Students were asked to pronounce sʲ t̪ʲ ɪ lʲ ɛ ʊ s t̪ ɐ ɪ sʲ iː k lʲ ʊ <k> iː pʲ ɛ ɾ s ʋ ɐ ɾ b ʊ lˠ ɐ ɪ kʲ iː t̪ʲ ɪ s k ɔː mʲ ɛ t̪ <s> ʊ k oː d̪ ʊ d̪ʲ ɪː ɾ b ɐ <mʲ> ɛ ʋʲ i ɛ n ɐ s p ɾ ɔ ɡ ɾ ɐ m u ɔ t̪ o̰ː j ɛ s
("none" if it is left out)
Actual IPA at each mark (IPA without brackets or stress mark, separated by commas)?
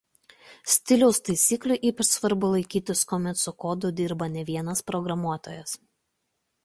ʔ, s, nʲ